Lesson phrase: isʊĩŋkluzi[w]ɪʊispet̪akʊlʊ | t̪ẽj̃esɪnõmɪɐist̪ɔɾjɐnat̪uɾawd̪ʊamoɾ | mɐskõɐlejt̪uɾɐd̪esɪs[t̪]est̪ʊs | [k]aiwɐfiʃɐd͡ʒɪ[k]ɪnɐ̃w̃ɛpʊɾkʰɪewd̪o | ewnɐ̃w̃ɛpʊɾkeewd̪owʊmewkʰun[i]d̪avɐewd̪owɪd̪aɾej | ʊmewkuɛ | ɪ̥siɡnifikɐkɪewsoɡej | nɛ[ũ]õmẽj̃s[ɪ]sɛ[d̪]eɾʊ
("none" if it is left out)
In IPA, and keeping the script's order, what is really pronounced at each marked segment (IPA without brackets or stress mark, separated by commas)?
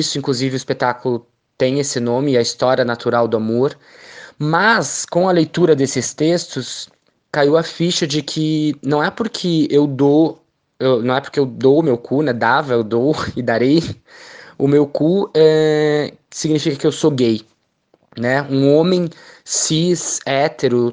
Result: v, t̪, k, kʰ, ɛ, ũ, i, t̪